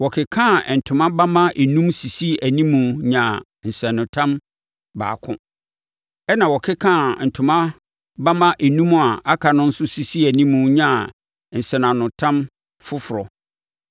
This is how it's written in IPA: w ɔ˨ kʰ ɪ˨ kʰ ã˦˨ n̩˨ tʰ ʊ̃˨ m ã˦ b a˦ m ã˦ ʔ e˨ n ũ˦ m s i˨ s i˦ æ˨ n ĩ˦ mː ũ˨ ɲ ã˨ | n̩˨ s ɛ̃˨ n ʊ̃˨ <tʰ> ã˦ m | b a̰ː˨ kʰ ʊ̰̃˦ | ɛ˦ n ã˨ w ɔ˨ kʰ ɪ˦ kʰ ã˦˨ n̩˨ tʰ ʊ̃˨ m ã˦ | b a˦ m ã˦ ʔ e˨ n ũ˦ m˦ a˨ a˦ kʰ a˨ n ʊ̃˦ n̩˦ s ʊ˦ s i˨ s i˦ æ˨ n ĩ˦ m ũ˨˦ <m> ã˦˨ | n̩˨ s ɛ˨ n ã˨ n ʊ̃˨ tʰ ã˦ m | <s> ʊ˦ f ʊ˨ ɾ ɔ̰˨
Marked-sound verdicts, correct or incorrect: correct, incorrect: ɲ, incorrect: f

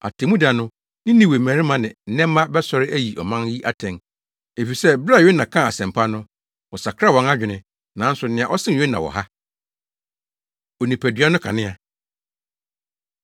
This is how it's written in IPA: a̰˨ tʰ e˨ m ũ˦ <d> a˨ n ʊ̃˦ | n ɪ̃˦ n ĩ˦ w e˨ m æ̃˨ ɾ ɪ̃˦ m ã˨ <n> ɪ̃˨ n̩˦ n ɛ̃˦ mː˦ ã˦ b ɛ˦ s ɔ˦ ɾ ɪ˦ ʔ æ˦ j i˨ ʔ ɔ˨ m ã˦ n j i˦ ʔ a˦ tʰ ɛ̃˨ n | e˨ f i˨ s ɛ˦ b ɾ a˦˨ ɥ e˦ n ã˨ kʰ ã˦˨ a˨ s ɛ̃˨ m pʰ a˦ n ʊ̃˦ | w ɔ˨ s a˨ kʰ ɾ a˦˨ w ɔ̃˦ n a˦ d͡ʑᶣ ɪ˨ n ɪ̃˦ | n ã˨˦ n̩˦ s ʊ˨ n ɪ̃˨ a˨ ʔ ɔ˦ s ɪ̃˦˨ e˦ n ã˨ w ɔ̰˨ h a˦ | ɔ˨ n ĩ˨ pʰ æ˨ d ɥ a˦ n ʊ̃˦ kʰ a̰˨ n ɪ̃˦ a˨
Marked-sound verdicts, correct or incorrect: correct, correct

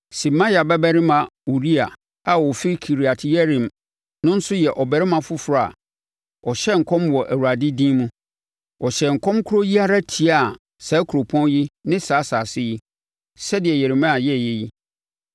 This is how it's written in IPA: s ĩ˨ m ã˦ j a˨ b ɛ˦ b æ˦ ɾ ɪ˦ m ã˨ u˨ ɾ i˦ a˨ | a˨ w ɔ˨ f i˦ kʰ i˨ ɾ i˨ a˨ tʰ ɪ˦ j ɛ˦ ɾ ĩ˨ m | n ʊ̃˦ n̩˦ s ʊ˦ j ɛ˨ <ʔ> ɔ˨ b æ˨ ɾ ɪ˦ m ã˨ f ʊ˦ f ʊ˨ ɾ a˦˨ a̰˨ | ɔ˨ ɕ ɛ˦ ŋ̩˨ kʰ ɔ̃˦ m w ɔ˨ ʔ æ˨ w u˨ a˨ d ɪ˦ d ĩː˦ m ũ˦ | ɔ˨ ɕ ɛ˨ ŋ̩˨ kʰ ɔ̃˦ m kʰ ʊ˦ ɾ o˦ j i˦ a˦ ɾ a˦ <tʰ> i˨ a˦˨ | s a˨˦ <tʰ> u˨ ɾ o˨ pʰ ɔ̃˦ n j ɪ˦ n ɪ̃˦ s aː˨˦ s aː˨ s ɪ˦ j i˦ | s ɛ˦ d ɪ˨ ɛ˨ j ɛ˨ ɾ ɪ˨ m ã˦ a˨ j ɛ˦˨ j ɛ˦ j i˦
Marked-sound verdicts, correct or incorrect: correct, correct, incorrect: kʰ

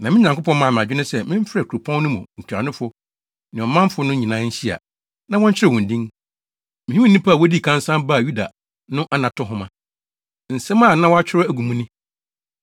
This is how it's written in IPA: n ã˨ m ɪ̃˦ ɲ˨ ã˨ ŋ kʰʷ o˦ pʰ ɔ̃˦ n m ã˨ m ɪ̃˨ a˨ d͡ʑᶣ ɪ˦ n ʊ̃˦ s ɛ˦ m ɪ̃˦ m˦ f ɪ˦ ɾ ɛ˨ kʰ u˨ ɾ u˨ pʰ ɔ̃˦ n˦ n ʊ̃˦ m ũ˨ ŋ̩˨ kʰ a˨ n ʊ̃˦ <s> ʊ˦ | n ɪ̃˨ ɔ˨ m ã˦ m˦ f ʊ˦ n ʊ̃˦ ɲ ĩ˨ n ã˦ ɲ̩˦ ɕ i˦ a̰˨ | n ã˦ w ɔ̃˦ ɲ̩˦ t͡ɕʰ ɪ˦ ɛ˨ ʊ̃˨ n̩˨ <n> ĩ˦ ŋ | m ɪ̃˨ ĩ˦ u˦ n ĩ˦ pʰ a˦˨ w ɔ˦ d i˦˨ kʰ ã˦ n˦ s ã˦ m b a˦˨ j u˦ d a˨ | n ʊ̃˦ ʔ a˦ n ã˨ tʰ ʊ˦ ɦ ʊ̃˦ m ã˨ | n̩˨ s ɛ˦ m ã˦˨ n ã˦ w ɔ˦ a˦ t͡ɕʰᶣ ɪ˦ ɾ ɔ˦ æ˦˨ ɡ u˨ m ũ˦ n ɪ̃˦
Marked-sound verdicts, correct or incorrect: incorrect: f, incorrect: d

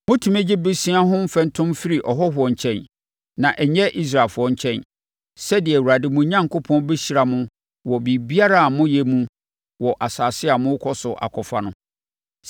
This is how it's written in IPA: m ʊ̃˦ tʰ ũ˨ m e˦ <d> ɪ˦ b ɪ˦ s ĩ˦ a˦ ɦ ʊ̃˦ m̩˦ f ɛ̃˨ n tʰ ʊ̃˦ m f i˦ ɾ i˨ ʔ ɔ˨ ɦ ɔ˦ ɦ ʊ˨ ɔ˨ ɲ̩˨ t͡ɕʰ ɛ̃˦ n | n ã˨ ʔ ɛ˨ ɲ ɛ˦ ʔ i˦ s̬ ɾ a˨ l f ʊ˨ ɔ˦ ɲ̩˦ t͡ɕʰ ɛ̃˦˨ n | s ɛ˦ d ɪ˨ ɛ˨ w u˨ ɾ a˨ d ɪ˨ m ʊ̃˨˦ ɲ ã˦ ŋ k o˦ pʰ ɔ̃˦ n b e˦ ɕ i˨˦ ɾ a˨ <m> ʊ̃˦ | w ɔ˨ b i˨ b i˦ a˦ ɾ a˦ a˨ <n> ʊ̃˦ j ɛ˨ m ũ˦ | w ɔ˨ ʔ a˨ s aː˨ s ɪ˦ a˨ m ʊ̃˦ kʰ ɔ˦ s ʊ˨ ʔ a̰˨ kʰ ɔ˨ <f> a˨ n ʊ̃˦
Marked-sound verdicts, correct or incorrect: incorrect: d͡ʑ, correct, incorrect: m, correct

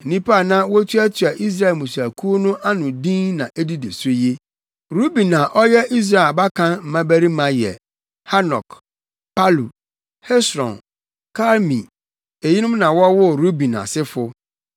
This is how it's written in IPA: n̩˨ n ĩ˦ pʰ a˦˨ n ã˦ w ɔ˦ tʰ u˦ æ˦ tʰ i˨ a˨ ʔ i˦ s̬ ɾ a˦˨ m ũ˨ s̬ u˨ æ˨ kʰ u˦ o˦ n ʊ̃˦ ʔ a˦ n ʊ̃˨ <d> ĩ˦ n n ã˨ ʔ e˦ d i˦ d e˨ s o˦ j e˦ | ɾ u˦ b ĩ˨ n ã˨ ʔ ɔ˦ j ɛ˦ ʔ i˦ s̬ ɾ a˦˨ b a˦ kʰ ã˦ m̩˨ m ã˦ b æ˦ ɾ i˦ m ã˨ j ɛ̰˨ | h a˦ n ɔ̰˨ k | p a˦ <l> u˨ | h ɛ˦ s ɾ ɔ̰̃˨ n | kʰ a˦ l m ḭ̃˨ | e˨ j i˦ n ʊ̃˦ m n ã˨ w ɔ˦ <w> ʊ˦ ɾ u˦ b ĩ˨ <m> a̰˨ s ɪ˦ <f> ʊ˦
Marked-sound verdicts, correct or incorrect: correct, correct, correct, incorrect: n, correct

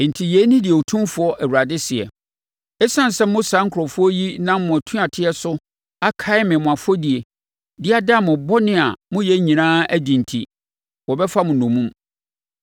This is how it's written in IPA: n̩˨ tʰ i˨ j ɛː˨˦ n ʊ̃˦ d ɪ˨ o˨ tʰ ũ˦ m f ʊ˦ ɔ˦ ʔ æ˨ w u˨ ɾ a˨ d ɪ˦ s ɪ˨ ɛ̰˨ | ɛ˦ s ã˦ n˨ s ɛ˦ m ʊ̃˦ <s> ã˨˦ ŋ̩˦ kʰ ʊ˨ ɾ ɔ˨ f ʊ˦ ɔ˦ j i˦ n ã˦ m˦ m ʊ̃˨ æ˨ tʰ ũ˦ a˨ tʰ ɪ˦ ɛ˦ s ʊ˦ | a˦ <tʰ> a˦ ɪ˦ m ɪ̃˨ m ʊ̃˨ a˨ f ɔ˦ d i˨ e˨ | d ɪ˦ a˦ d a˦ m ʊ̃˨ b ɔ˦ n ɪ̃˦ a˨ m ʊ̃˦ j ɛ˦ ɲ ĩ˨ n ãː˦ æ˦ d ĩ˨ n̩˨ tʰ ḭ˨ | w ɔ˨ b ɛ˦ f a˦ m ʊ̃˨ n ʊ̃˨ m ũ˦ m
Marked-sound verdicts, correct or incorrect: correct, incorrect: kʰ

